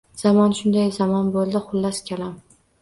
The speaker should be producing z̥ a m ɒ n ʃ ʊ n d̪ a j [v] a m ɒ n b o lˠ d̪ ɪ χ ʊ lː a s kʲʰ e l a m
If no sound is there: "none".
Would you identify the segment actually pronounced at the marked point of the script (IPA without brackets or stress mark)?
z